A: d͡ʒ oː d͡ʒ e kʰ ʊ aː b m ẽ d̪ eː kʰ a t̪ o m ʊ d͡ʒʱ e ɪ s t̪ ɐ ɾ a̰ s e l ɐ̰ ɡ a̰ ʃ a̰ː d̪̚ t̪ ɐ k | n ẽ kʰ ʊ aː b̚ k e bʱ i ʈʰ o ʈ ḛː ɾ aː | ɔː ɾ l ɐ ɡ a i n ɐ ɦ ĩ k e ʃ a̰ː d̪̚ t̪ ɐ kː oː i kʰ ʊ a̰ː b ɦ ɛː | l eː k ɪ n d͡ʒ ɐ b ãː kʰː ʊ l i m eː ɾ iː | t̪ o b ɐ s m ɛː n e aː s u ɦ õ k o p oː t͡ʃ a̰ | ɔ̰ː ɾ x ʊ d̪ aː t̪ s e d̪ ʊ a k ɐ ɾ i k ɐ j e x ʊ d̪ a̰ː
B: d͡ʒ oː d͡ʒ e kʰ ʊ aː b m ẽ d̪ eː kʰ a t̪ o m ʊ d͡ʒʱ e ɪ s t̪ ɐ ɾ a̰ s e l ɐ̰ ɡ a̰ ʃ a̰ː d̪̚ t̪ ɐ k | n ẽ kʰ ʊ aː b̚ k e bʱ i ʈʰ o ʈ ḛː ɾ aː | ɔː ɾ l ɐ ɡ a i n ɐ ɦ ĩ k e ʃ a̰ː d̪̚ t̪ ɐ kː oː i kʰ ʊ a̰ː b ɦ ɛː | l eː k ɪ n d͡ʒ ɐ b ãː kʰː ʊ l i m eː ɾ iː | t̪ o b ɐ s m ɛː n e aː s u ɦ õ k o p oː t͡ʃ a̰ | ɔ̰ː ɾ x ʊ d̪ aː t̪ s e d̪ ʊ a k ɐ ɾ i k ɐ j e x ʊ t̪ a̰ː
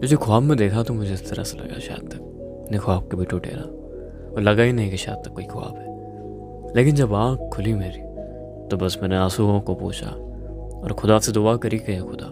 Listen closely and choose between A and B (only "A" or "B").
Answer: A